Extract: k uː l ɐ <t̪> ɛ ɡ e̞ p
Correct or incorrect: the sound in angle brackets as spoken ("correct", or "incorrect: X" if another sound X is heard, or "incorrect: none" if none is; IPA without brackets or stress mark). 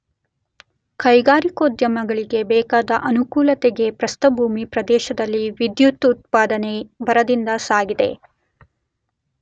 correct